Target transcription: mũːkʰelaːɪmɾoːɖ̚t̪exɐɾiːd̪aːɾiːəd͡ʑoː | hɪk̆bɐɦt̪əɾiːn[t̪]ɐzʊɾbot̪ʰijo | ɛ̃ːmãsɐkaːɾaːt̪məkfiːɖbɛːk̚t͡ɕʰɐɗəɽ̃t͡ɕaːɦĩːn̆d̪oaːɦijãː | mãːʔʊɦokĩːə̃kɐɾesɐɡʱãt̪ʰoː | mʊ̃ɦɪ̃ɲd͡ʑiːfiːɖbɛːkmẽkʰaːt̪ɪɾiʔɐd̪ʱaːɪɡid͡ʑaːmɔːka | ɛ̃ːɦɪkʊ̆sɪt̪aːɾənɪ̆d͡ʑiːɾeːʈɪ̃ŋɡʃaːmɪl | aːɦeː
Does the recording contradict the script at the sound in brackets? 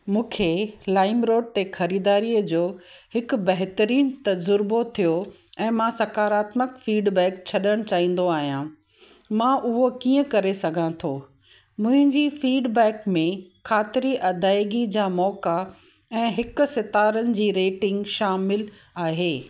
no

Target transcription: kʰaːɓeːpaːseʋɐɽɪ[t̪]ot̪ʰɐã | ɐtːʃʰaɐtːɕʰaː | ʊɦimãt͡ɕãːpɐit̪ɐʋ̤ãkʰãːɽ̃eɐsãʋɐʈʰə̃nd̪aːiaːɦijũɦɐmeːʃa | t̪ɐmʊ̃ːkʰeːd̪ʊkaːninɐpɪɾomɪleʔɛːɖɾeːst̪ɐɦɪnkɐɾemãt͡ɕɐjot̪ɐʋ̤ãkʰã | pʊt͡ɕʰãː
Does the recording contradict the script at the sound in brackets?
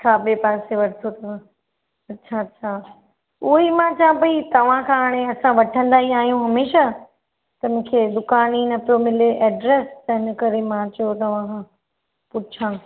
yes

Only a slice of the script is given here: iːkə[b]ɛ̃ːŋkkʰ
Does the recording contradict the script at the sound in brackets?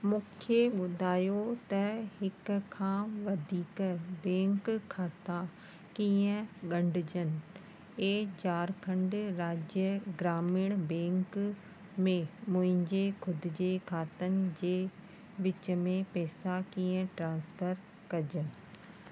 no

